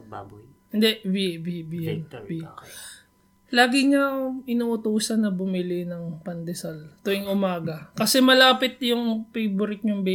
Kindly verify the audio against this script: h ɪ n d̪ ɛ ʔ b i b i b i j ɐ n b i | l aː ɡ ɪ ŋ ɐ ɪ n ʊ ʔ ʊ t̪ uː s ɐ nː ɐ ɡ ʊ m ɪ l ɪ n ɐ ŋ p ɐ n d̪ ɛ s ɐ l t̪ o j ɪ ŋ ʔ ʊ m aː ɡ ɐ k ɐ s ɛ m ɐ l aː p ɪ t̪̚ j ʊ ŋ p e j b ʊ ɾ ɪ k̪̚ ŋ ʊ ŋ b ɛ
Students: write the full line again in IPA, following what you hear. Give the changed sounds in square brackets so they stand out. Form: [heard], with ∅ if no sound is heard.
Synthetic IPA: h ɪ n d̪ ɛ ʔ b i b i b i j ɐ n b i | l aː ɡ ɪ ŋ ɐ ɪ n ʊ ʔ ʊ t̪ uː s ɐ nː ɐ [b] ʊ m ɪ l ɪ n ɐ ŋ p ɐ n d̪ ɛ s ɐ l t̪ o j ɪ ŋ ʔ ʊ m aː ɡ ɐ k ɐ s ɛ m ɐ l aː p ɪ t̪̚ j ʊ ŋ p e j b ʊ ɾ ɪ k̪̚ [ɲ] ʊ ŋ b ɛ